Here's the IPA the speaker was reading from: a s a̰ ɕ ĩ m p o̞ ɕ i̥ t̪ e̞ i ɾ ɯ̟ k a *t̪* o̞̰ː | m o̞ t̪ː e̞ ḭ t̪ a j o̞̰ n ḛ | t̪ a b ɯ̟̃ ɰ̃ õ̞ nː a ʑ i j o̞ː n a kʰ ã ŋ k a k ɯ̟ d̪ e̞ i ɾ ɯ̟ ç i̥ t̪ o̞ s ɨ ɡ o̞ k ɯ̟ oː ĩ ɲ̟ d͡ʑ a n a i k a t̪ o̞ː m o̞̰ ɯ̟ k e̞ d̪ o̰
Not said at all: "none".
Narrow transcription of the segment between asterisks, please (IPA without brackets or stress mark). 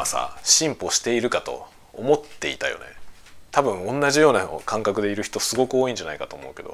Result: t̪